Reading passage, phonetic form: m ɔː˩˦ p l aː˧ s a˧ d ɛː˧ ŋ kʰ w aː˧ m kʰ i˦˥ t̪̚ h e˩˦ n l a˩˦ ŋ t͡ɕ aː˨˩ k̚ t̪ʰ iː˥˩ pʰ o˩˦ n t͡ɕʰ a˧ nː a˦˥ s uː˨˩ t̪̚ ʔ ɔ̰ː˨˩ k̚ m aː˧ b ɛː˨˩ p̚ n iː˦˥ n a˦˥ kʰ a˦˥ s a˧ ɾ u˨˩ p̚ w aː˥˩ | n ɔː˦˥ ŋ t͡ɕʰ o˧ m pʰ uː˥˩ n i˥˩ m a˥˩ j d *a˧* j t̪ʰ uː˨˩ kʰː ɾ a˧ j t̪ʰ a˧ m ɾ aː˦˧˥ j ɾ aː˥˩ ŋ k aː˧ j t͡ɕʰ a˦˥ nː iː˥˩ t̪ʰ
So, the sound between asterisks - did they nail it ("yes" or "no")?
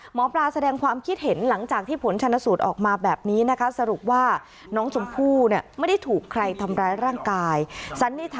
no